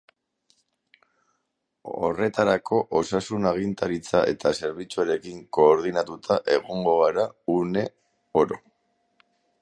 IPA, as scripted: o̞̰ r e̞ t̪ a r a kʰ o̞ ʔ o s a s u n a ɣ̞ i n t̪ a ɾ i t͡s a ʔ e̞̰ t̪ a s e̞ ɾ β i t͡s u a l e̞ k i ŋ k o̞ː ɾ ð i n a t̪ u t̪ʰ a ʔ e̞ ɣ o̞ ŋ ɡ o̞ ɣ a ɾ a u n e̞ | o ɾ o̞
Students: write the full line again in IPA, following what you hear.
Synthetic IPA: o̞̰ r e̞ t̪ a ɾ a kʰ o̞ ʔ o s a s u n a ɣ̞ i n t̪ a ɾ i t͡s a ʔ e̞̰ t̪ a s e̞ ɾ β i t͡s u a ɾ e̞ k i ŋ k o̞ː ɾ ð i n a t̪ u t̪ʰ a ʔ e̞ ɣ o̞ ŋ ɡ o̞ ɣ a ɾ a u n e̞ | o ɾ o̞